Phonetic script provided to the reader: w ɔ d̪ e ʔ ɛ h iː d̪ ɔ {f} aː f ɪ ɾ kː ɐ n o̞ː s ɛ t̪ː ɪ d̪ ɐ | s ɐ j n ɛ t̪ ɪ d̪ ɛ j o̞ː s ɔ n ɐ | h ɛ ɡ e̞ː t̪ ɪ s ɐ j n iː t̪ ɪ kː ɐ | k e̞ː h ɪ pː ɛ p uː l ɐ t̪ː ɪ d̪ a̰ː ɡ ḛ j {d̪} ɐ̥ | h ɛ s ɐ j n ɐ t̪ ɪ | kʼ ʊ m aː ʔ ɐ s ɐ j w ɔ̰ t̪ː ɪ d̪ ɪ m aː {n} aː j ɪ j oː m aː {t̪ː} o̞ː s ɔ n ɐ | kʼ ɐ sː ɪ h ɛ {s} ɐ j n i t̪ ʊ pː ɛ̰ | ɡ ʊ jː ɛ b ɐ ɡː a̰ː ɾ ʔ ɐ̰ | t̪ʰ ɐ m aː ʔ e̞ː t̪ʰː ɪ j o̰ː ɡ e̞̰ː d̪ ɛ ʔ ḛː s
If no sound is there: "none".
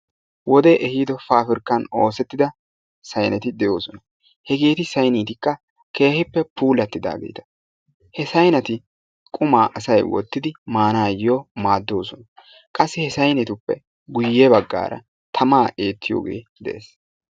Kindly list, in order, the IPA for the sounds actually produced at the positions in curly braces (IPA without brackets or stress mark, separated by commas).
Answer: f, t̪, n, d̪ː, s